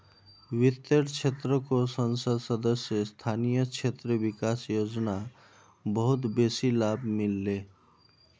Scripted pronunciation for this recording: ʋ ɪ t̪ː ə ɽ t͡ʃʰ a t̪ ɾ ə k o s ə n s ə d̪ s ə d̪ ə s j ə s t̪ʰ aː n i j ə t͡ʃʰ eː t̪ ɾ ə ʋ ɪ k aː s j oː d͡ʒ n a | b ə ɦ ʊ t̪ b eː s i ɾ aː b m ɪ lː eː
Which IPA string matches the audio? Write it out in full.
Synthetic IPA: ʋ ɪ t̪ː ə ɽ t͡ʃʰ e t̪ ɾ ə k o s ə n s ə d̪ s ə d̪ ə s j ə s t̪ʰ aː n i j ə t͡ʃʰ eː t̪ ɾ ə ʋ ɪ k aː s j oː d͡ʒ n a | b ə ɦ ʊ t̪ b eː s i l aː b m ɪ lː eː